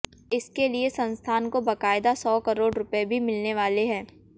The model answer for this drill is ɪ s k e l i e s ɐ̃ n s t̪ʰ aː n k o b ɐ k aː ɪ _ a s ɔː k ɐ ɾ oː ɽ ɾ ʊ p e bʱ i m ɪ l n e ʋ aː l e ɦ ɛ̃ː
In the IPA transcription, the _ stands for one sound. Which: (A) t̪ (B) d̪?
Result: B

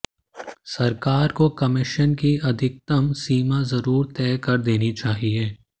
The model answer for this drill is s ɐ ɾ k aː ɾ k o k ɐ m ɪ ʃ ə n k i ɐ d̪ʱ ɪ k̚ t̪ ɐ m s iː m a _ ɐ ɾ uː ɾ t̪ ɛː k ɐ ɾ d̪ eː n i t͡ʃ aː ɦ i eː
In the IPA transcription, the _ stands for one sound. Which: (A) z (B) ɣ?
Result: A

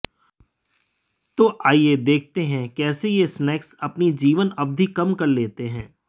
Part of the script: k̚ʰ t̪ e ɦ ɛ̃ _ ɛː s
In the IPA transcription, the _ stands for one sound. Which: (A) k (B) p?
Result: A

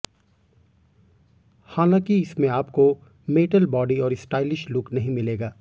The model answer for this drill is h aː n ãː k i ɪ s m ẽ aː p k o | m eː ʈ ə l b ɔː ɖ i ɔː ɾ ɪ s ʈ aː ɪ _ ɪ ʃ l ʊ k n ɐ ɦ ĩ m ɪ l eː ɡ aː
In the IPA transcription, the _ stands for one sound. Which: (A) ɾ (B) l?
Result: B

